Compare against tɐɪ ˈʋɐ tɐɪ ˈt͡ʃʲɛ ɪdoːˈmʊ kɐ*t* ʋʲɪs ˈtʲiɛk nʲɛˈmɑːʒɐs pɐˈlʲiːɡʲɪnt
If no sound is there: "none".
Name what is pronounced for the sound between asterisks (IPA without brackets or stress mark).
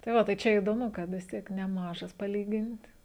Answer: t